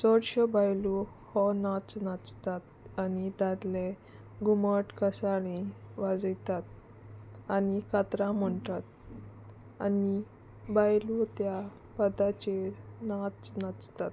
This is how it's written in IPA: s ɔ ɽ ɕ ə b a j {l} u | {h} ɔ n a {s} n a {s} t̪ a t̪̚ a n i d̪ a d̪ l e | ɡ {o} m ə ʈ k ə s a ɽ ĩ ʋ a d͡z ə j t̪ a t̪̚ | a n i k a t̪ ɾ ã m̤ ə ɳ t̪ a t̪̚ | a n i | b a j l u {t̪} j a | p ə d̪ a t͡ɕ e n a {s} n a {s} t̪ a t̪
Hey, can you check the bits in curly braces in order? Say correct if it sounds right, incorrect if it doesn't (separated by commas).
correct, correct, incorrect, incorrect, incorrect, correct, incorrect, incorrect